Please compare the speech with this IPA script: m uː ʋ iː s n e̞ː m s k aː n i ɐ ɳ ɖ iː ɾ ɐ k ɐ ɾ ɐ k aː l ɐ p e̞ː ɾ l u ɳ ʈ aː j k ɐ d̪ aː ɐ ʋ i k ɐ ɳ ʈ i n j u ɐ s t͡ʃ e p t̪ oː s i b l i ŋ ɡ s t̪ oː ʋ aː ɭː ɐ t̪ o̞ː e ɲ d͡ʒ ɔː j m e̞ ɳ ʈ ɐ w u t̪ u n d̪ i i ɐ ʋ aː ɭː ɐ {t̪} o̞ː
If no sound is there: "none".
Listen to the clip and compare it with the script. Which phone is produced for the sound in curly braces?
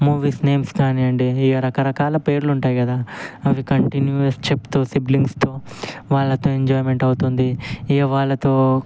t̪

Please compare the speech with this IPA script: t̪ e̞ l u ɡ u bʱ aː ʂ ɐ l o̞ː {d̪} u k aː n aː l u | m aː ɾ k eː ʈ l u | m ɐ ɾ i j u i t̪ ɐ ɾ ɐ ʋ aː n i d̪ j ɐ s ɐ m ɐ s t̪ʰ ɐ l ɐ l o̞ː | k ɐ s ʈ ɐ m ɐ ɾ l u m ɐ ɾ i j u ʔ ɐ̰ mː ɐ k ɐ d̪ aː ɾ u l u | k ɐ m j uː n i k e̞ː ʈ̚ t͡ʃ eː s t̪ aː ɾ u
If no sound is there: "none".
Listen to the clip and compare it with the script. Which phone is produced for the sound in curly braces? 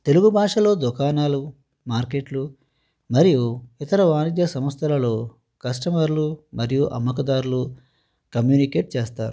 d̪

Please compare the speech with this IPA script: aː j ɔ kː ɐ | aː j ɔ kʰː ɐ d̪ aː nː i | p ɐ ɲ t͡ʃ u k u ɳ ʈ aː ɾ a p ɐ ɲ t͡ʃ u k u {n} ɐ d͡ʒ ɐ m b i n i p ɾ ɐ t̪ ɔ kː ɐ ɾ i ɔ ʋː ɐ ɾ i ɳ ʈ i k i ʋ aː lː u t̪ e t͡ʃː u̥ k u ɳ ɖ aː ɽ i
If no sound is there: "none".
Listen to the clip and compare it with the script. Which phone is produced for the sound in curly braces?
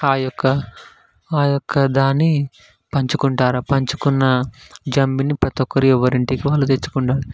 nː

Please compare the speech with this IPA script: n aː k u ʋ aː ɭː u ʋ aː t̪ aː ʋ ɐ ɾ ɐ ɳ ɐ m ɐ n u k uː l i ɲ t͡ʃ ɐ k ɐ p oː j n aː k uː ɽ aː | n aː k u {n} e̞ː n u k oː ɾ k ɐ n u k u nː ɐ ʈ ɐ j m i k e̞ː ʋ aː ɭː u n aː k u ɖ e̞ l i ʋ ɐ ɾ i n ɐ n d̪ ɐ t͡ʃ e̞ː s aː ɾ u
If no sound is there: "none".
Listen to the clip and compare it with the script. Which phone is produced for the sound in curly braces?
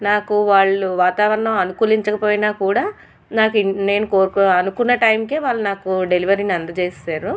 n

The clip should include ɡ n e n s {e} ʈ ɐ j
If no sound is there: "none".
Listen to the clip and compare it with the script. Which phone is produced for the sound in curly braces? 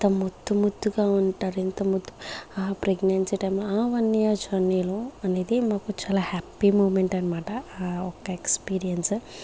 i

